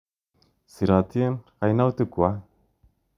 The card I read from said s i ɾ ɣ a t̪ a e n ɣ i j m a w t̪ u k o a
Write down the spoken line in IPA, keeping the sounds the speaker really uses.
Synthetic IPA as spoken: s i ɾ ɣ a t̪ i e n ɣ a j n a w t̪ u k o a